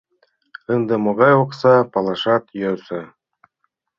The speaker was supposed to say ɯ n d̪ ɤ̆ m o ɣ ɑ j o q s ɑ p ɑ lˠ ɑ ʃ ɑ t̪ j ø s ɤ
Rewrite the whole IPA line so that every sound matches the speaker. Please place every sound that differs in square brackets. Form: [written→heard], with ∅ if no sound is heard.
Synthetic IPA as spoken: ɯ n d̪ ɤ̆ m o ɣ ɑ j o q s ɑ p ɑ lˠ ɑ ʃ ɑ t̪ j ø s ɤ